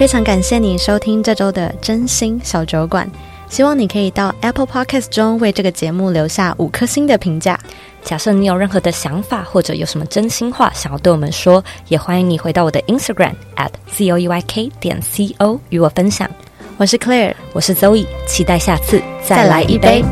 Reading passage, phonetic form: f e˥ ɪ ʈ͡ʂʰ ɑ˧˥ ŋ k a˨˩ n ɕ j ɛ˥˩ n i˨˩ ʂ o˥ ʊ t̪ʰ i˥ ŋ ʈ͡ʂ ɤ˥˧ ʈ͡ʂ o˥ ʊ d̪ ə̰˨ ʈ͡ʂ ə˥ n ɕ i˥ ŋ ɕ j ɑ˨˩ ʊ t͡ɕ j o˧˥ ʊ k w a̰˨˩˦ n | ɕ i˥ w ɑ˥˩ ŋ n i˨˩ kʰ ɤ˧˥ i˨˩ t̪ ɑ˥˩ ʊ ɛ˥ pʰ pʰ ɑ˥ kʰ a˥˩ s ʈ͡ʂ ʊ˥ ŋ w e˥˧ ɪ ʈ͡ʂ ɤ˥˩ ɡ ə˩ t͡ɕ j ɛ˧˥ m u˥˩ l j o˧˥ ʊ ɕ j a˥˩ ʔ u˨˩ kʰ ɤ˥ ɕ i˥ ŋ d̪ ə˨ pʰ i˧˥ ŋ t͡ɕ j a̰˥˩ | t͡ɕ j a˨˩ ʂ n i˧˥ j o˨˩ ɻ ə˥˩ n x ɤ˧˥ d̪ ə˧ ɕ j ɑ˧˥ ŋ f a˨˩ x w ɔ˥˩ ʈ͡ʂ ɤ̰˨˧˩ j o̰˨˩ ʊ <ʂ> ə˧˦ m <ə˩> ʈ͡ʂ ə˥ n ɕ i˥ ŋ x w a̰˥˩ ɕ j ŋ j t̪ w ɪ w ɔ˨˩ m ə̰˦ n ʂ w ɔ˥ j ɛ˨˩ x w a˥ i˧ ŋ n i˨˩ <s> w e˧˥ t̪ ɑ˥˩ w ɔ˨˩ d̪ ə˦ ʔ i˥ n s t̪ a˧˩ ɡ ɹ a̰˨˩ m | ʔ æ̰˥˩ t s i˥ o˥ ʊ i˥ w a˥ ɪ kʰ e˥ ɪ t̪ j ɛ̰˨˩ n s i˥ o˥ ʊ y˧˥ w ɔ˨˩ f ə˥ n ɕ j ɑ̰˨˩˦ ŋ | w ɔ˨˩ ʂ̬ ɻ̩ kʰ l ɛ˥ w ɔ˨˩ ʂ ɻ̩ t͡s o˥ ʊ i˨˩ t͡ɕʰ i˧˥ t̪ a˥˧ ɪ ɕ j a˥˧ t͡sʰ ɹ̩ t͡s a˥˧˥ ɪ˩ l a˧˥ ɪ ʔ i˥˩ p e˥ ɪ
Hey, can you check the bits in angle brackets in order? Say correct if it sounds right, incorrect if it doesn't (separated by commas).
correct, incorrect, incorrect